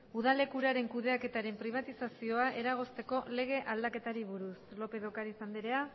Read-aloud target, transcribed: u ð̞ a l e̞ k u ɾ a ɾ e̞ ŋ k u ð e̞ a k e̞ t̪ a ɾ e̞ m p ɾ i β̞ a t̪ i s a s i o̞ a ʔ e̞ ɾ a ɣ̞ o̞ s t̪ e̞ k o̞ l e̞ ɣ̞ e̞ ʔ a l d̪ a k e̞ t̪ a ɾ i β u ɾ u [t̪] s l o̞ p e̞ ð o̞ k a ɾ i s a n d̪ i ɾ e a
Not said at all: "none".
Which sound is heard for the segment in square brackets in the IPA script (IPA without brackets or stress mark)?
none